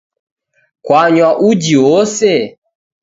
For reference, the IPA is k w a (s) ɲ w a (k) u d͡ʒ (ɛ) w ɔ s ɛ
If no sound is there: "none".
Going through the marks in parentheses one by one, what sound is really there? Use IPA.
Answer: none, ʔ, i

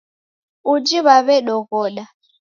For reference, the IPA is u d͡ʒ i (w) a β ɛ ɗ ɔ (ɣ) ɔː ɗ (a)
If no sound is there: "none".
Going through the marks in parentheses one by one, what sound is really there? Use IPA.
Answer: β, ɣ, a

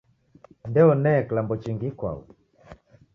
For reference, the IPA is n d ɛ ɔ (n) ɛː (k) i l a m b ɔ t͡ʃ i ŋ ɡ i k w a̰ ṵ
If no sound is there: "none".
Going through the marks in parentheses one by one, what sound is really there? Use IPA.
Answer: n, k

